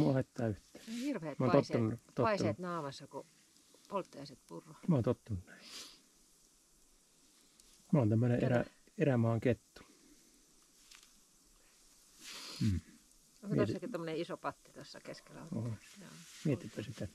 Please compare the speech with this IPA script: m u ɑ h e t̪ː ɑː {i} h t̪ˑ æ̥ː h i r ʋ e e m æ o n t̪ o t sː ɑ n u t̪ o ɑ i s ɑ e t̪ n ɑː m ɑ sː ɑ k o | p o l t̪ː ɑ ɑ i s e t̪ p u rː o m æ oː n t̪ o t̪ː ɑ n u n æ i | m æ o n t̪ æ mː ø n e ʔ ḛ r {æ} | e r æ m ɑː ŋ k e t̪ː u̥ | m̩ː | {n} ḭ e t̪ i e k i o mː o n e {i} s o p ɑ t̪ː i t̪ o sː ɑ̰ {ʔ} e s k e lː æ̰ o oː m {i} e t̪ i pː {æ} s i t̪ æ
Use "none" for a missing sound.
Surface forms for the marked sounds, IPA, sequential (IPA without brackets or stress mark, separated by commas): y, æ, m, i, k, i, æ